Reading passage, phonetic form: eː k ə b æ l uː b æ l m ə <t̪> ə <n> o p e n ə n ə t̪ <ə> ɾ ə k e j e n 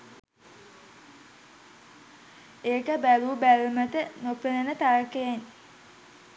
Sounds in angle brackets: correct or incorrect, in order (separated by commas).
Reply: correct, correct, incorrect